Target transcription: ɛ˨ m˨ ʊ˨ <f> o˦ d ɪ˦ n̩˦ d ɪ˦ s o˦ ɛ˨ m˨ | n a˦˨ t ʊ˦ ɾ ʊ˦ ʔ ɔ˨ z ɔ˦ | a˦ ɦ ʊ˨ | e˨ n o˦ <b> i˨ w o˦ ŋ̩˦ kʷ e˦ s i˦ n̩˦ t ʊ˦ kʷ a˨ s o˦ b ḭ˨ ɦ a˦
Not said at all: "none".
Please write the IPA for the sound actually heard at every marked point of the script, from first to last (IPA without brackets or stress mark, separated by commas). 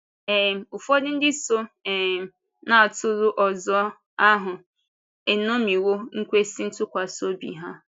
f, m